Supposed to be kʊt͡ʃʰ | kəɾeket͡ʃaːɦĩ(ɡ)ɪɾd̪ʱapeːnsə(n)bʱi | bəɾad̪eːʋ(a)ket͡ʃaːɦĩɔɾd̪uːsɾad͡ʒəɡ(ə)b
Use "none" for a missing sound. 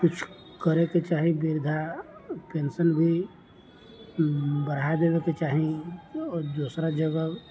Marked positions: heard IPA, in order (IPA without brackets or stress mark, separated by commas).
b, n, e, ə